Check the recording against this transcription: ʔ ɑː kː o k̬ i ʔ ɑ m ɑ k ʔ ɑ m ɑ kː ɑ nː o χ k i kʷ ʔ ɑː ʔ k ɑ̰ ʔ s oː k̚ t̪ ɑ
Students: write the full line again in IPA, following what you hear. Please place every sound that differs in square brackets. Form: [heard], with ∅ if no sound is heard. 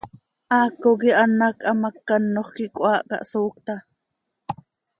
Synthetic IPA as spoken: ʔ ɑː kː o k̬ i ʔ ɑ [n] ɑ k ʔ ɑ m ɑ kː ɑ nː o χ k i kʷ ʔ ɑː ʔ k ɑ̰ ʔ s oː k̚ t̪ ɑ

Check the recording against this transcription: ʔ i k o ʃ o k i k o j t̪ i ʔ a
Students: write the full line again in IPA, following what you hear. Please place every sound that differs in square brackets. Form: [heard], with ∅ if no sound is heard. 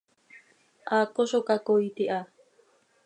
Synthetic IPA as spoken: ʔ [a] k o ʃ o k [a] k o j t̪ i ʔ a

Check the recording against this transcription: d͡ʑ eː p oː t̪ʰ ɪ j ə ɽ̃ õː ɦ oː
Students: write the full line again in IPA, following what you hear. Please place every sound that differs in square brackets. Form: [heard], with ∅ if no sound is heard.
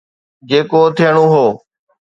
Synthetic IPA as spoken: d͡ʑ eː [k] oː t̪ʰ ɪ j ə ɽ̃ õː ɦ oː

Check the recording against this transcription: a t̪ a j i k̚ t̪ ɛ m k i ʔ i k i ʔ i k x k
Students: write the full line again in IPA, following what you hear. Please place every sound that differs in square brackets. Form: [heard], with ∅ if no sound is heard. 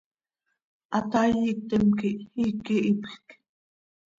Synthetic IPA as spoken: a t̪ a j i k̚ t̪ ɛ m k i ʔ i k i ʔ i [p] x k

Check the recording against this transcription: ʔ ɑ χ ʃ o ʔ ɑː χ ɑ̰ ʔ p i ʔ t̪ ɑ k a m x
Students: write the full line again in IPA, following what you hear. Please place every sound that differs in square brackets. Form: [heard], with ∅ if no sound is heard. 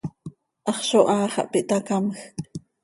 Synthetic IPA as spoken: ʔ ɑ χ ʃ o ʔ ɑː χ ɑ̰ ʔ p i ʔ t̪ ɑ k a m x

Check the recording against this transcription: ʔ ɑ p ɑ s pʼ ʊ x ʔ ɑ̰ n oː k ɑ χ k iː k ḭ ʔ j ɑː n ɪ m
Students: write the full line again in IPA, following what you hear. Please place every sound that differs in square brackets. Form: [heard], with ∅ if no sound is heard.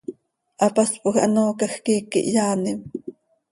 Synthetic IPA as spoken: ʔ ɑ p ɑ s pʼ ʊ x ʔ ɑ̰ n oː k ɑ [x] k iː k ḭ ʔ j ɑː n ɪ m

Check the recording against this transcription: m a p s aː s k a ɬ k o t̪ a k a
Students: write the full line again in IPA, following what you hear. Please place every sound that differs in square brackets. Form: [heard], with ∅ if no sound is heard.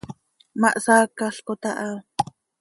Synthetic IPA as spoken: m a [ʔ] s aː [∅] k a ɬ k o t̪ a [ʔ] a

